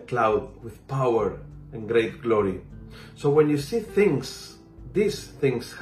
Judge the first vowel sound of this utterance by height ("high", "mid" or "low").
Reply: low